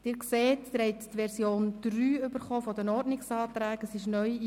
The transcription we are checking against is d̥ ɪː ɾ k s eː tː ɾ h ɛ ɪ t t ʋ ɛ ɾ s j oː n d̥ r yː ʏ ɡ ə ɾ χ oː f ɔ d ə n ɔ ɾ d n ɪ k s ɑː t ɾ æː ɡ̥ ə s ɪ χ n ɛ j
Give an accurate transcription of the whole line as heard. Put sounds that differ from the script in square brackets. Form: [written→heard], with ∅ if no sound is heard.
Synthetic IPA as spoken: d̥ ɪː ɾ k s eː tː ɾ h ɛ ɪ t t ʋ ɛ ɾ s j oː n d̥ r yː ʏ [ɡ→b] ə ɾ χ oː f ɔ d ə n ɔ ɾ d n ɪ k s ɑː t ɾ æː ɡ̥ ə s ɪ [χ→ʃ] n [ɛ→œ] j